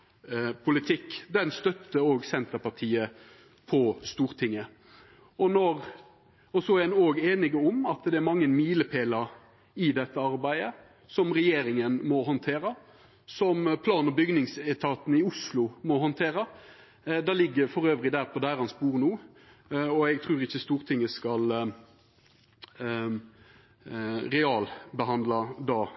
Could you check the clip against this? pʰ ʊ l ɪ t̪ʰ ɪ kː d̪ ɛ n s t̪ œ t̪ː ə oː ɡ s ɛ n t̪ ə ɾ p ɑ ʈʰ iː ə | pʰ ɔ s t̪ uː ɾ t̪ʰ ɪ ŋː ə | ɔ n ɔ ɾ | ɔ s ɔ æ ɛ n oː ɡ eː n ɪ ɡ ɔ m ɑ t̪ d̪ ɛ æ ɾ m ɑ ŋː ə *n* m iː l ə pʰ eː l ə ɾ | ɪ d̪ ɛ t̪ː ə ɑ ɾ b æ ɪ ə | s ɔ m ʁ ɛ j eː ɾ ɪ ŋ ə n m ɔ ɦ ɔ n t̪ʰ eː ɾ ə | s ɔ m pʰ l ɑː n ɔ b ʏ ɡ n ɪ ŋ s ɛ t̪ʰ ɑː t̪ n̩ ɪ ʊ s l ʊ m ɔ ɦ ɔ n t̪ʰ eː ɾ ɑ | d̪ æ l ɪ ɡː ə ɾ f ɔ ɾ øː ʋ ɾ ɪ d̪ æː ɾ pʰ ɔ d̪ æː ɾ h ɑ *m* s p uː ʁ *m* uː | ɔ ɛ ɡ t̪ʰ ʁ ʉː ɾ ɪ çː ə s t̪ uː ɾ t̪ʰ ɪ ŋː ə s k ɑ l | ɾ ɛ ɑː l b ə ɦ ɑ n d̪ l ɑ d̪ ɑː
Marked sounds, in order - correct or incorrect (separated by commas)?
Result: correct, incorrect, incorrect